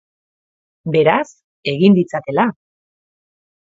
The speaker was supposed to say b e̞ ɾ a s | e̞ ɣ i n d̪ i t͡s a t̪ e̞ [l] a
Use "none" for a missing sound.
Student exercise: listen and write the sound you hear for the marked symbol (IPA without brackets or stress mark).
l